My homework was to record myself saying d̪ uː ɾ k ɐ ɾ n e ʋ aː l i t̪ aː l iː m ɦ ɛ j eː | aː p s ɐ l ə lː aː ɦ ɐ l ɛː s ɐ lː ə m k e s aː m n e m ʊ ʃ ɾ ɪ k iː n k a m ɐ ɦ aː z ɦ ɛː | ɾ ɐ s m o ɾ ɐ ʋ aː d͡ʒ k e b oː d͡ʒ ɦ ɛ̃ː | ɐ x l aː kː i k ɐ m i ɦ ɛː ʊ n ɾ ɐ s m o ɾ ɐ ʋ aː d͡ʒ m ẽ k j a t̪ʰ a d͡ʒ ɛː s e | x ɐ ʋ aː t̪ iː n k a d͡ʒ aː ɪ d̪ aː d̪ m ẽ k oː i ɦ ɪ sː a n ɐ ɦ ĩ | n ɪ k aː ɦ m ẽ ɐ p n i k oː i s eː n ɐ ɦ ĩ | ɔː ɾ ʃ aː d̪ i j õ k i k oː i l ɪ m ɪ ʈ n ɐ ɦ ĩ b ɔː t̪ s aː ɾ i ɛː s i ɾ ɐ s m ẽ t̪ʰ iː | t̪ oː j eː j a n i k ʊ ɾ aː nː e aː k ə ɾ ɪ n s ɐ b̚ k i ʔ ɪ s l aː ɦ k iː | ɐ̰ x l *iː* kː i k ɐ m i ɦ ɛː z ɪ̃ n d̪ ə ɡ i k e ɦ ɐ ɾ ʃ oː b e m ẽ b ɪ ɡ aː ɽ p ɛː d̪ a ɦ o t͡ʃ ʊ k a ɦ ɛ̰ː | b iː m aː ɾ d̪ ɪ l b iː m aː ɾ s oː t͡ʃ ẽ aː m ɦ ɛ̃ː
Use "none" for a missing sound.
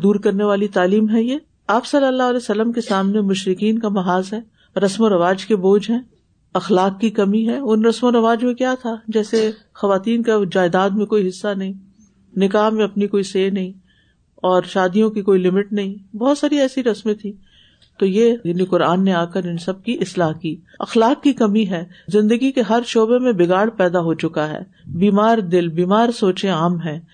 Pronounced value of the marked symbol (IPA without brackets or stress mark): aː